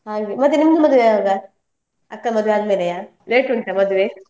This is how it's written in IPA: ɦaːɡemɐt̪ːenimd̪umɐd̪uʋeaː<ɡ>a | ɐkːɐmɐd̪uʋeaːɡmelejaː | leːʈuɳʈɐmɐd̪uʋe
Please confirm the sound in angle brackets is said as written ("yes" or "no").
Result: yes